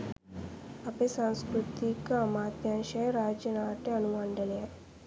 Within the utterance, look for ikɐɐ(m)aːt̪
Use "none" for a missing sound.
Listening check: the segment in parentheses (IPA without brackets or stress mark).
m